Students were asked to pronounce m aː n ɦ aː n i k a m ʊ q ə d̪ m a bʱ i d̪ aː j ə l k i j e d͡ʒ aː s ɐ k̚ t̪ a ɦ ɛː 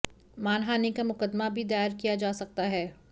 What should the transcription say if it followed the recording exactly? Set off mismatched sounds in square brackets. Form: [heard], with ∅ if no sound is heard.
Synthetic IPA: m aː n ɦ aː n i k a m ʊ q ə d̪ m a bʱ i d̪ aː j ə [ɾ] k i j [a] d͡ʒ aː s ɐ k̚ t̪ a ɦ ɛː

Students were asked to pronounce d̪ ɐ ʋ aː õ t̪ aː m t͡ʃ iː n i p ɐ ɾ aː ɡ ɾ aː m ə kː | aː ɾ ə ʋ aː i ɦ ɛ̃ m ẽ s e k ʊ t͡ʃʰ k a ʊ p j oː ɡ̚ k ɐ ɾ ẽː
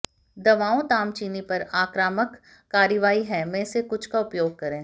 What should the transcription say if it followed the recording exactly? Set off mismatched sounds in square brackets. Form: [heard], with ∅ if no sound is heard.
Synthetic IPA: d̪ ɐ ʋ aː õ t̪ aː m t͡ʃ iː n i p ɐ ɾ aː [k] ɾ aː m ə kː | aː ɾ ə ʋ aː i ɦ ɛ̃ m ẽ s e k ʊ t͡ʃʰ k a ʊ p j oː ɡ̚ k ɐ ɾ ẽː

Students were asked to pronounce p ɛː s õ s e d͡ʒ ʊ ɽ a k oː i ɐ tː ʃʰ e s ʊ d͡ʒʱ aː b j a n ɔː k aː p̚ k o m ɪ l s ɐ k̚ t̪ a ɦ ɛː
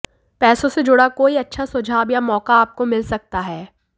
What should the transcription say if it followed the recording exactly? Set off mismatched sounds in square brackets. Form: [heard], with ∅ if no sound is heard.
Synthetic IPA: p ɛː s õ s e d͡ʒ ʊ ɽ a k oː i ɐ tː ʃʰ [a] s ʊ d͡ʒʱ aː b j a [m] ɔː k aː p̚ k o m ɪ l s ɐ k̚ t̪ a ɦ ɛː

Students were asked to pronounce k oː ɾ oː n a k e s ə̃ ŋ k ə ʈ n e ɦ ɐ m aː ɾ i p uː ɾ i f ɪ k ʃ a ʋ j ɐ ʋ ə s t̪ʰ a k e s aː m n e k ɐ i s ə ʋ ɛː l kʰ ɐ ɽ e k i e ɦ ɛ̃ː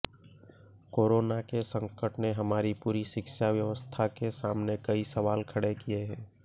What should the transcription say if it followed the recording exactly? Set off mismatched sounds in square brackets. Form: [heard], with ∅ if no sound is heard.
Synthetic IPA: k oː ɾ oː n a k e s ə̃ ŋ k ə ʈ n e ɦ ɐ m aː ɾ i p uː ɾ i [ʃ] ɪ k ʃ a ʋ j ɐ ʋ ə s t̪ʰ a k e s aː m n e k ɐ i s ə ʋ [aː] l kʰ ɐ ɽ e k i e ɦ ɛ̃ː

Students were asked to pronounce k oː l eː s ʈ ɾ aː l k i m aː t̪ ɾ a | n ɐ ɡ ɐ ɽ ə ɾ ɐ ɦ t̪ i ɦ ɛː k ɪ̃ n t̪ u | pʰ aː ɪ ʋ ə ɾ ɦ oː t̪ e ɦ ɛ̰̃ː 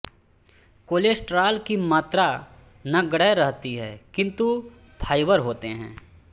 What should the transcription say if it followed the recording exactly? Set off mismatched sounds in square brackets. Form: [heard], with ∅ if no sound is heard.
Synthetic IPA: k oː l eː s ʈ ɾ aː l k i m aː t̪ ɾ a | n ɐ ɡ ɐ ɽ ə ɾ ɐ ɦ t̪ i ɦ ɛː k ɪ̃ n t̪ u | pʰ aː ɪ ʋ ə ɾ ɦ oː t̪ e ɦ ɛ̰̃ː

